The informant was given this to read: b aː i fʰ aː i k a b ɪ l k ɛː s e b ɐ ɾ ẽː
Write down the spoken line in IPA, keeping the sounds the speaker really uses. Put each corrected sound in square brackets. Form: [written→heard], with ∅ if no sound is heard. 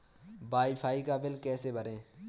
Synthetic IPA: b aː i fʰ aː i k a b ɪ l k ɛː s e b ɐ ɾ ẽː